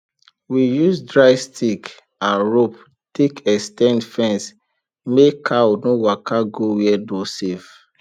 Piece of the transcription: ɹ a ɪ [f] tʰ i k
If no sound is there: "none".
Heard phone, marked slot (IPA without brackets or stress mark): s